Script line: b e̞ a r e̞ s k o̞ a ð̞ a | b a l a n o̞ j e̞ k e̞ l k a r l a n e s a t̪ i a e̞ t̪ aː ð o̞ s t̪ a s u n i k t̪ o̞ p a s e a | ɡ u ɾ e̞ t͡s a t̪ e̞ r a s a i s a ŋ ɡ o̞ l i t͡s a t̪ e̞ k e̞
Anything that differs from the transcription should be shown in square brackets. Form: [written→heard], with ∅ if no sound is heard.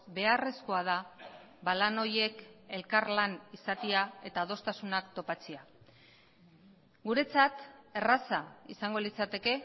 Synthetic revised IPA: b e̞ a r e̞ s k o̞ a ð̞ a | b a l a n o̞ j e̞ k e̞ l k a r l a n [e→i] s a t̪ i a e̞ t̪ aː ð o̞ s t̪ a s u n [i→a] k t̪ o̞ p a [s→t͡s] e a | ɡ u ɾ e̞ t͡s a t̪ e̞ r a s a i s a ŋ ɡ o̞ l i t͡s a t̪ e̞ k e̞